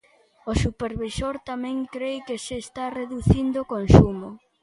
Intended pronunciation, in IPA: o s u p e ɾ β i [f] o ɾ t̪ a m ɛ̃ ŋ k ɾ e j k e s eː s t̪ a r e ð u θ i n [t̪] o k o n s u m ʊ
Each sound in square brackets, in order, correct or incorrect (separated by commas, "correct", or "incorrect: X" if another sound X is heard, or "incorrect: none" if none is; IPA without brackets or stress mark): incorrect: s, incorrect: d̪